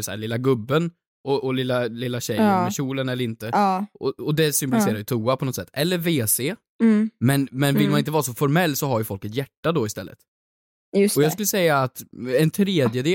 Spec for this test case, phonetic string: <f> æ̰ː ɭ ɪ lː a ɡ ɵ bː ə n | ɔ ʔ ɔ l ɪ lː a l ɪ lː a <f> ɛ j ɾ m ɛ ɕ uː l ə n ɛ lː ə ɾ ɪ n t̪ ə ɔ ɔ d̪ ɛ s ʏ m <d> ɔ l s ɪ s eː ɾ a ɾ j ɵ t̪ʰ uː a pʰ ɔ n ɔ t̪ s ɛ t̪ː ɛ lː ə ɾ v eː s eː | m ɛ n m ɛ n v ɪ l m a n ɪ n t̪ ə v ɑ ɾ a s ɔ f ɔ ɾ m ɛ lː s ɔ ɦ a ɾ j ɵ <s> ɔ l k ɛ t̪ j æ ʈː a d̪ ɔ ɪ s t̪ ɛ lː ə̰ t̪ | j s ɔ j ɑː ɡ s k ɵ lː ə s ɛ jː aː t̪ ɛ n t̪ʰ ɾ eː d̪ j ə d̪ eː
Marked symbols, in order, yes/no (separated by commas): no, no, no, no